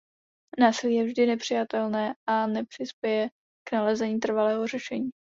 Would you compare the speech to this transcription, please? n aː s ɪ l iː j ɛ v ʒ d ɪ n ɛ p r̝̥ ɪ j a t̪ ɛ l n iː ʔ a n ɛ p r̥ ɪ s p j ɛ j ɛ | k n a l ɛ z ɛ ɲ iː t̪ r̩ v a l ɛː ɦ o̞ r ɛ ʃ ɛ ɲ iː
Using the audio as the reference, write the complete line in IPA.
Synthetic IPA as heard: n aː s ɪ l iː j ɛ v ʒ d ɪ n ɛ p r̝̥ ɪ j a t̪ ɛ l n ɛː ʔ a n ɛ p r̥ ɪ s p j ɛ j ɛ | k n a l ɛ z ɛ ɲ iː t̪ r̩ v a l ɛː ɦ o̞ r ɛ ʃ ɛ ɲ iː